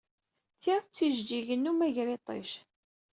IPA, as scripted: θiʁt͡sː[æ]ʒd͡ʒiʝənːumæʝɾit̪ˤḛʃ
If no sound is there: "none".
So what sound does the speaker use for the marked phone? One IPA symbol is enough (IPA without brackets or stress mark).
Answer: i